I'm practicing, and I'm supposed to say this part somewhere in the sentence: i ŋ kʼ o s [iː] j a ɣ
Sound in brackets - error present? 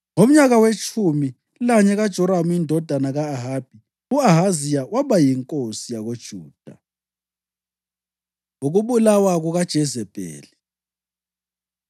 yes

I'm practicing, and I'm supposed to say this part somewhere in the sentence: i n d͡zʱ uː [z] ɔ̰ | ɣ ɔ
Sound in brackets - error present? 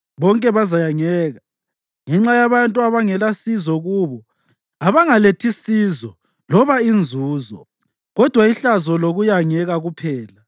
no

